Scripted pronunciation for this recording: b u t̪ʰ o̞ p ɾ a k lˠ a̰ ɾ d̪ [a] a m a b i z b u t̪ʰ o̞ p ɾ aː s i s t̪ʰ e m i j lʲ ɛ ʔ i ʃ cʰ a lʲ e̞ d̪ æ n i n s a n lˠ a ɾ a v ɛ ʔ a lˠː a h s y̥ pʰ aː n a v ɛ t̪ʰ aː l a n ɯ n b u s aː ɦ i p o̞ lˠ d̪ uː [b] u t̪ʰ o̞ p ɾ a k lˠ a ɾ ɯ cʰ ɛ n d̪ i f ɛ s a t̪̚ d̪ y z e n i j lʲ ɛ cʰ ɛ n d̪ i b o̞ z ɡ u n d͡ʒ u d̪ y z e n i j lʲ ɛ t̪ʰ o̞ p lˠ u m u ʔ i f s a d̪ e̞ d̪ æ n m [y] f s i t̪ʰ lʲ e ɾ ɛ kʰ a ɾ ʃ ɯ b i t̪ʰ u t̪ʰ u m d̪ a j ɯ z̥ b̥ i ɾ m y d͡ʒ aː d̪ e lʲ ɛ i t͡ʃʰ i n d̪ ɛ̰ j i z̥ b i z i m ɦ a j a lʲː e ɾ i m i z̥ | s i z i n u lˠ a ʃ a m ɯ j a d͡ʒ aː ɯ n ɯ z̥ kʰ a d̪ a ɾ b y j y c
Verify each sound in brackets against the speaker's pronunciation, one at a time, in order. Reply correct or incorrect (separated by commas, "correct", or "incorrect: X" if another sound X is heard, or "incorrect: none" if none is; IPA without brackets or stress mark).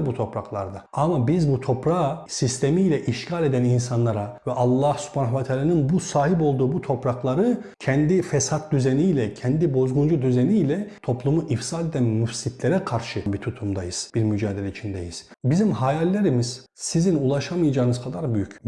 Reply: correct, correct, correct